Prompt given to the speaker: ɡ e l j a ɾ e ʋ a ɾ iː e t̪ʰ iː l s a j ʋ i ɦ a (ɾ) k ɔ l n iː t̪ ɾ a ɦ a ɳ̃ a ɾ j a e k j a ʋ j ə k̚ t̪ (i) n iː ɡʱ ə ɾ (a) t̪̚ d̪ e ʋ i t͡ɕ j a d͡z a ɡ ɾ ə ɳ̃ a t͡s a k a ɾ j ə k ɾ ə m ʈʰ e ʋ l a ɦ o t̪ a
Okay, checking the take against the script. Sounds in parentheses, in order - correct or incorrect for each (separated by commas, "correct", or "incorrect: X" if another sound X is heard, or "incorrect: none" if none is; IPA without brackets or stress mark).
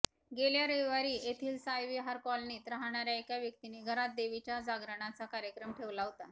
correct, correct, correct